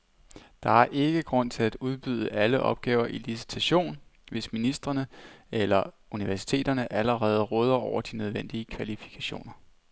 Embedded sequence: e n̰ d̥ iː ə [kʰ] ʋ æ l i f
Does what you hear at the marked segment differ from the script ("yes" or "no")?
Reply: no